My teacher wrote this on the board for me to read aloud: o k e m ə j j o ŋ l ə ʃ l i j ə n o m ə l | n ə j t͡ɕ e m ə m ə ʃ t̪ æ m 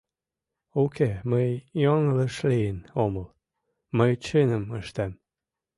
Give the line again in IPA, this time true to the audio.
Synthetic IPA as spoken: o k e m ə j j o ŋ l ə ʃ l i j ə n o m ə l | m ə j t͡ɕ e n ə m ə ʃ t̪ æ m